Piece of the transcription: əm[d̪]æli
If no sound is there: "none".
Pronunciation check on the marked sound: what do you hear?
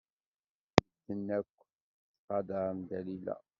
d̪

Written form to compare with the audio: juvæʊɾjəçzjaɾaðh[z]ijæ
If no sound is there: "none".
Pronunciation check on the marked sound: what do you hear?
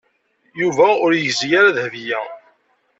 v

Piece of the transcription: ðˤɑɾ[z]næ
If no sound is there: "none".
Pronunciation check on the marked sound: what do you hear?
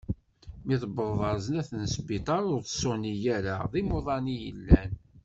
z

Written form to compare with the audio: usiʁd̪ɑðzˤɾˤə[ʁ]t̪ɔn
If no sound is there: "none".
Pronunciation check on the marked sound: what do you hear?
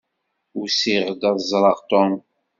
ʁ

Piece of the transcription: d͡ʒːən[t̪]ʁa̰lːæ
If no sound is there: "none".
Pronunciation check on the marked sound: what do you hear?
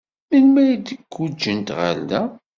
t̪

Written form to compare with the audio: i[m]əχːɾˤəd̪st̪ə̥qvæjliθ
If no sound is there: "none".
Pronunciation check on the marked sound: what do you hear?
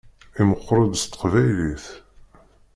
m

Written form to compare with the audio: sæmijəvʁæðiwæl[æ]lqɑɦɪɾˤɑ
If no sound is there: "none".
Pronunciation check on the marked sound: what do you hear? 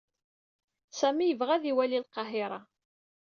i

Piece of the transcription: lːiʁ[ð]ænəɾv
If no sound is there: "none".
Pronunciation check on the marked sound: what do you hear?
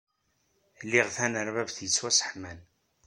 θ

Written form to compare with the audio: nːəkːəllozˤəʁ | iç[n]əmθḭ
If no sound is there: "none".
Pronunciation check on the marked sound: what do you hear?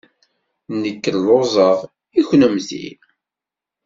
n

